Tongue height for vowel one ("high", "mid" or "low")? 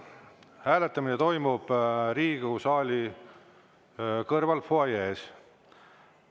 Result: low